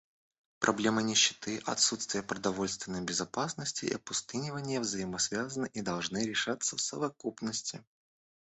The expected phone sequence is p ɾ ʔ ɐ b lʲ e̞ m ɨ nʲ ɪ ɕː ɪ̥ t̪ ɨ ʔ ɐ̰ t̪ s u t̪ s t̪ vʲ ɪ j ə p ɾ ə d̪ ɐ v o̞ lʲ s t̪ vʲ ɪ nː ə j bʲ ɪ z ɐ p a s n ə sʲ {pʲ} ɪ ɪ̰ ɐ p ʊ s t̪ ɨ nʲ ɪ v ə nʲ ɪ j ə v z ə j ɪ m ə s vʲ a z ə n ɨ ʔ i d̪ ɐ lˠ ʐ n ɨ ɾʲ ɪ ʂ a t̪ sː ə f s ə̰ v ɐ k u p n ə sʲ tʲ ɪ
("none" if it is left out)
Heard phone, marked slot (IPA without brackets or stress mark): tʲ